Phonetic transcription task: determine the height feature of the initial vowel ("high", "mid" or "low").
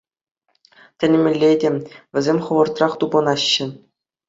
mid